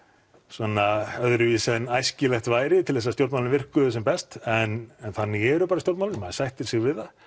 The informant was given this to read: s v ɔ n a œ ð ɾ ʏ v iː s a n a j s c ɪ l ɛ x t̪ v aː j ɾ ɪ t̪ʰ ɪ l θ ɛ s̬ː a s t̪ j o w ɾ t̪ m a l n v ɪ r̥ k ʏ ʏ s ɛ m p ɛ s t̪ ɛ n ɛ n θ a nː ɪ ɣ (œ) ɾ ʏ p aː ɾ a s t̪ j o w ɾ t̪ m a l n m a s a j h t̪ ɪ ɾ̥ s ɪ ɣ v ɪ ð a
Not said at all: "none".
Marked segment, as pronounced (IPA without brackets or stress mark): ɛ